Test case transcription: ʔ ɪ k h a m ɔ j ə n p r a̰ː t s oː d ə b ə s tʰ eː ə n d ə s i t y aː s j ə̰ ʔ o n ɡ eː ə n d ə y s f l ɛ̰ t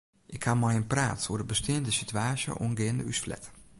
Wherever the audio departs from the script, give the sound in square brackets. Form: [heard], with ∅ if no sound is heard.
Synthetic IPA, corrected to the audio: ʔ ɪ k h a m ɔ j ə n p r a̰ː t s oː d ə b ə s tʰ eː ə n d ə s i t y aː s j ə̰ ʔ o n ɡ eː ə n d ə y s f l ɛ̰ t